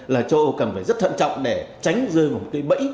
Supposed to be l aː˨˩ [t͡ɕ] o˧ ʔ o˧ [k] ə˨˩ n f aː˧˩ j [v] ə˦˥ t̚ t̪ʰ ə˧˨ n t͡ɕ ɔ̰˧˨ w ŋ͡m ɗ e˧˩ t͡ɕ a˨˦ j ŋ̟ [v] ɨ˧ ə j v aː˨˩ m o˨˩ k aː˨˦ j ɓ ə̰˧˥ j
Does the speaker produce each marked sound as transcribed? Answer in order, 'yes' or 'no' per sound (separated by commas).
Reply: yes, yes, no, no